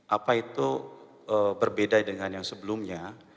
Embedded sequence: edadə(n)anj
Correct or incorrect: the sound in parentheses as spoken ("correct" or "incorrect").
incorrect